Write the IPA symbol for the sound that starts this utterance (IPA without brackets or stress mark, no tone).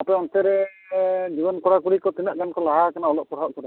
a